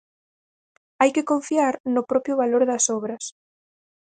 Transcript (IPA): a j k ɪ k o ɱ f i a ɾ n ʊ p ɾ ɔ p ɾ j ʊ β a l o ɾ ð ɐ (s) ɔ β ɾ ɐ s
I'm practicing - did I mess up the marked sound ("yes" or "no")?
no